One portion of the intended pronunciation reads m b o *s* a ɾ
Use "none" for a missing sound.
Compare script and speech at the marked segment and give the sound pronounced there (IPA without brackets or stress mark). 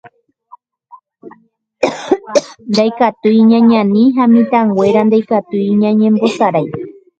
s